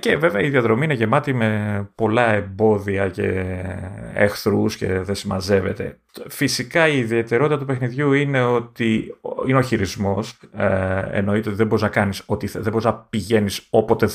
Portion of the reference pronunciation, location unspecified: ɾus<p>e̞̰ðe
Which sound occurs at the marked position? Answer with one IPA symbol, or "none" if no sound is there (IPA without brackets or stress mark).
c